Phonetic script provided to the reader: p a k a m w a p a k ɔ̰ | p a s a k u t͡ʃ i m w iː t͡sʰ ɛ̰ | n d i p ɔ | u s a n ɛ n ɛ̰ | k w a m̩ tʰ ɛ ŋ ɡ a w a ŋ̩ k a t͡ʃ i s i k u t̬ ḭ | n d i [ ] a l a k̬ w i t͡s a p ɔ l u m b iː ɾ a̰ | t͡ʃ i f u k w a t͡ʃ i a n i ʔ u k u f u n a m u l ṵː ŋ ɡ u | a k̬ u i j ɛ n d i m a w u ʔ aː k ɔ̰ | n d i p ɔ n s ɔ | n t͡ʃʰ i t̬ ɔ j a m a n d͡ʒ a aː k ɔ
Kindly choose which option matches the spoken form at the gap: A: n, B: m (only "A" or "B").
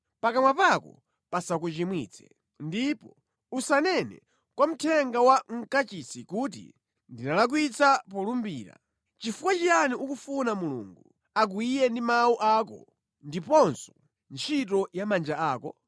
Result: A